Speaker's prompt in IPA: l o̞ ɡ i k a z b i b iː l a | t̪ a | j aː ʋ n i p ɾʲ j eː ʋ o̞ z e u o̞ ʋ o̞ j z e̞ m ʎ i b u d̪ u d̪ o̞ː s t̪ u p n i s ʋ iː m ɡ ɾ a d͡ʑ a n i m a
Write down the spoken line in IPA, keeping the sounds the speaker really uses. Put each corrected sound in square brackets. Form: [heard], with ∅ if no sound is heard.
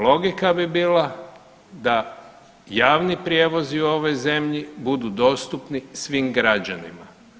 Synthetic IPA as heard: l o̞ ɡ i k a [∅] b i b iː l a | [d̪] a | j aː ʋ n i p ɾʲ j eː ʋ o̞ z [i] u o̞ ʋ o̞ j z e̞ m ʎ i b u d̪ u d̪ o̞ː s t̪ u p n i s ʋ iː m ɡ ɾ a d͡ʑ a n i m a